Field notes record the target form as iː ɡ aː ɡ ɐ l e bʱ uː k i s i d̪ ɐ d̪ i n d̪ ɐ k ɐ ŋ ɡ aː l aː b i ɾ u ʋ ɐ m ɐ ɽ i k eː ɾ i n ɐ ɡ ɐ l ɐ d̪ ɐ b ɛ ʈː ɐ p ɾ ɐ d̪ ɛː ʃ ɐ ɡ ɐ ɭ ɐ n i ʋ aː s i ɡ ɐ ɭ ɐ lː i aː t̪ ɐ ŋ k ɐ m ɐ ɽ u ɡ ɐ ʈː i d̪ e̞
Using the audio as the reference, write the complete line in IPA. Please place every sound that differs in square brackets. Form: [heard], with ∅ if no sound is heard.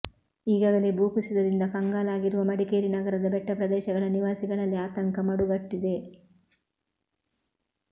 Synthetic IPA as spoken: iː ɡ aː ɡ ɐ l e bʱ uː k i s i d̪ ɐ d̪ i n d̪ ɐ k ɐ ŋ ɡ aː l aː [ɡ] i ɾ u ʋ ɐ m ɐ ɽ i k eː ɾ i n ɐ ɡ ɐ [ɾ] ɐ d̪ ɐ b ɛ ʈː ɐ p ɾ ɐ d̪ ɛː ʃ ɐ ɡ ɐ ɭ ɐ n i ʋ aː s i ɡ ɐ ɭ ɐ lː i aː t̪ ɐ ŋ k ɐ m ɐ ɽ u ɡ ɐ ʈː i d̪ e̞